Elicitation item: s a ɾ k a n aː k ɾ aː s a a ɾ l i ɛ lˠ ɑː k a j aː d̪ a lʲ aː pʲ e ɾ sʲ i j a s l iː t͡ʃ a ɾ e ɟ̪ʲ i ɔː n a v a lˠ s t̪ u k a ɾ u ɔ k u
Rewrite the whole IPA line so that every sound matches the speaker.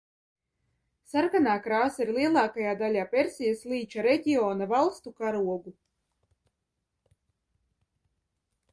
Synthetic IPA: s a ɾ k a n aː k ɾ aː s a i ɾ l i ɛ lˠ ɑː k a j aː d̪ a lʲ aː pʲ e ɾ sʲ i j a s l iː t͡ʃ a ɾ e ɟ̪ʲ i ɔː n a v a lˠ s t̪ u k a ɾ u ɔ ɡ u